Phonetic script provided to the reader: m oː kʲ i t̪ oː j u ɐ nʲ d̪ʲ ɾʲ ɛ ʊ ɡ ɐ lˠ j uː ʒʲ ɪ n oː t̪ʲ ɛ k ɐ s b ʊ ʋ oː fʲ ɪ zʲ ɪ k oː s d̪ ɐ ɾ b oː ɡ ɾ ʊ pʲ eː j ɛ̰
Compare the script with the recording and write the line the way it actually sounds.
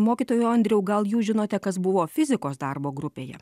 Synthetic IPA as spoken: m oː kʲ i t̪ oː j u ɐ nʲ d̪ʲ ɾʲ ɛ ʊ ɡ ɐ lˠ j uː ʒʲ ɪ n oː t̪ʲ ɛ k ɐ s b ʊ ʋ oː fʲ ɪ zʲ ɪ k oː s d̪ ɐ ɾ b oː ɡ ɾ ʊ pʲ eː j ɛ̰